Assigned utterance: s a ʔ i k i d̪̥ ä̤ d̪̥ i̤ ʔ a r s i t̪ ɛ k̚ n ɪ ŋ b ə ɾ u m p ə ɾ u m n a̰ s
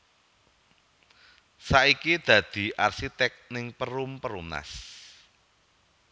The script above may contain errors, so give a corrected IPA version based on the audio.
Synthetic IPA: s a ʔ i k i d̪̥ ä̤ d̪̥ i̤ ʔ a r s i t̪ ɛ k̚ n ɪ ŋ p ə ɾ u m p ə ɾ u m n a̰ s